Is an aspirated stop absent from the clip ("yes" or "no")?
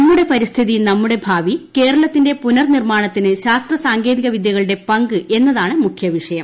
no